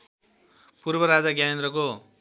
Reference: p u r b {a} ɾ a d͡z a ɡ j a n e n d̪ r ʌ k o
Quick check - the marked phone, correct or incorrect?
incorrect